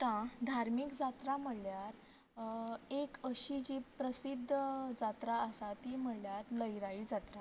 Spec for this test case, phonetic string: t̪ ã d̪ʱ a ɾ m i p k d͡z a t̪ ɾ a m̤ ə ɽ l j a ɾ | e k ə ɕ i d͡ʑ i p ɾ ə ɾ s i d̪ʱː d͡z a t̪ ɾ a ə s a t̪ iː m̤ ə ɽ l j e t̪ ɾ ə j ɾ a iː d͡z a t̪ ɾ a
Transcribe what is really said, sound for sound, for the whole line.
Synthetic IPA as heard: t̪ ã d̪ʱ a ɾ m i k d͡z a t̪ ɾ a m̤ ə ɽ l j a ɾ | e k ə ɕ i d͡ʑ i p ɾ ə s i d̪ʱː d͡z a t̪ ɾ a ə s a t̪ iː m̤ ə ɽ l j a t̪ l ə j ɾ a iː d͡z a t̪ ɾ a

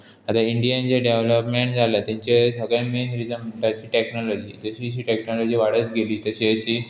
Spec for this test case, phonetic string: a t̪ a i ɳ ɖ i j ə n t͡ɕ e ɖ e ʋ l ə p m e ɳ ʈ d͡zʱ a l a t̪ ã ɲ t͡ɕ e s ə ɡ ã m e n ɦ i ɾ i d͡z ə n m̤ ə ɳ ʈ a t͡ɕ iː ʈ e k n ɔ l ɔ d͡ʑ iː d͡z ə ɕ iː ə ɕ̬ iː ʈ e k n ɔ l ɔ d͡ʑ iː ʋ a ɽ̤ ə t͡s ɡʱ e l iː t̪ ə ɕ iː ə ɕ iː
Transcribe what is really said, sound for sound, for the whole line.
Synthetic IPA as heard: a t̪ a i ɳ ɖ i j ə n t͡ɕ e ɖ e ʋ l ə p m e ɳ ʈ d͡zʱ a l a t̪ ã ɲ t͡ɕ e s ə ɡ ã m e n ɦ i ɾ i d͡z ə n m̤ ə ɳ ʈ a t͡ɕ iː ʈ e k n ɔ l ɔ d͡ʑ iː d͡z ə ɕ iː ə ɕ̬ iː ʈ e k n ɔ l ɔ d͡ʑ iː ʋ a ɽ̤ ə t͡s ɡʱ e l iː t̪ ə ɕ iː ə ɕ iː

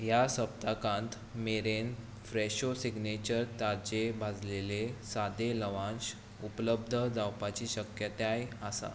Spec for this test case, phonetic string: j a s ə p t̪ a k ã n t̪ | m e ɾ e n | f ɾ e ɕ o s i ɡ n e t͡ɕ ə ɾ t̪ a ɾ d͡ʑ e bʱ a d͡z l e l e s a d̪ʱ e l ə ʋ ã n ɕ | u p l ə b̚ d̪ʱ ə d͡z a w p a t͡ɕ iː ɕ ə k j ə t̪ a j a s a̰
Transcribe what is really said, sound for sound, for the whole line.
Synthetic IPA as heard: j a s ə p t̪ a k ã n t̪ | m e ɾ e n | f ɾ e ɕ o s i ɡ n e t͡ɕ ə ɾ t̪ a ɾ d͡ʑ e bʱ a d͡z l e l e s a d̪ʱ e l ə ʋ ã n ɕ | u p l ə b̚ d̪ʱ ə d͡z a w p a t͡ɕ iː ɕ ə k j ə t̪ a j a s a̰

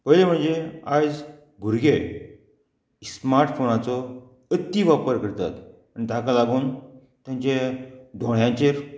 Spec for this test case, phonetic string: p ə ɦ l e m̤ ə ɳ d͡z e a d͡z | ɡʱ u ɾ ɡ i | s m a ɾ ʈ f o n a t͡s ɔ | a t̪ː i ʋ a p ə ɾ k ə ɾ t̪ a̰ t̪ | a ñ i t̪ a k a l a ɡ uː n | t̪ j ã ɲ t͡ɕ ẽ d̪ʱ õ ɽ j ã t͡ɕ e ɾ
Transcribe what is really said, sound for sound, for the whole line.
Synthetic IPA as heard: p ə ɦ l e m̤ ə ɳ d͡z e a d͡z | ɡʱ u ɾ ɡ e | s m a ɾ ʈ f o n a t͡s ɔ | ə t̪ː i ʋ a p ə ɾ k ə ɾ t̪ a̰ t̪ | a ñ i t̪ a k a l a ɡ uː n | t̪ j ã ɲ t͡ɕ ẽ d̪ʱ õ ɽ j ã t͡ɕ e ɾ

